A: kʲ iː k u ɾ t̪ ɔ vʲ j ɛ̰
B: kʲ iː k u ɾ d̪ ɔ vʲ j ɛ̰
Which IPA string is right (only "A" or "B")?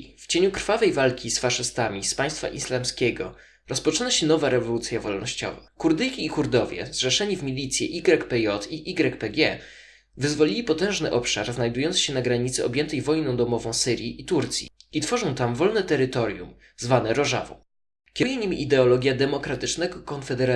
B